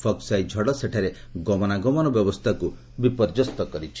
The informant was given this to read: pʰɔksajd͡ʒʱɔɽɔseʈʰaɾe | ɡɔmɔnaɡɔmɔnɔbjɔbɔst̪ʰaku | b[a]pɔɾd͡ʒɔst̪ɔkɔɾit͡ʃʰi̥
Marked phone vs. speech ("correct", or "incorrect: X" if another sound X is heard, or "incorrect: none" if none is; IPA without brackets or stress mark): incorrect: i